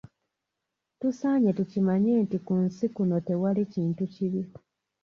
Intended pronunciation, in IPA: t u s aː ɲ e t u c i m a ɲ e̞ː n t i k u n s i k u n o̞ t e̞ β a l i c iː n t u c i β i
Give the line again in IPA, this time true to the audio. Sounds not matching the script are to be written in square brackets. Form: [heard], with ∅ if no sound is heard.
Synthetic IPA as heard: t u s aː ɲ e t u c i m a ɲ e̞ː n t i k u n s i k u n o̞ t e̞ [w] a l i c iː n t u c i β i